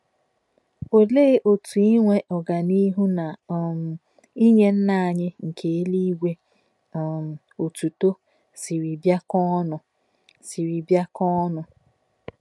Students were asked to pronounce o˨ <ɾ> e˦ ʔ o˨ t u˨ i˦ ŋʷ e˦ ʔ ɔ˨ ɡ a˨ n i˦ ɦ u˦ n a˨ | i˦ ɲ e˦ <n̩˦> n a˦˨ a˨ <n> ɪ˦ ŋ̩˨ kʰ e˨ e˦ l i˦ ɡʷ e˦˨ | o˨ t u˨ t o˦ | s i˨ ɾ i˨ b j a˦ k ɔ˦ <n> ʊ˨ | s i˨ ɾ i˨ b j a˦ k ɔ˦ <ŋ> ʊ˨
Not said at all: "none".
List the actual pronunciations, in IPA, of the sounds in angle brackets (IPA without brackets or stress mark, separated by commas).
l, n̩˦, ɲ, n, n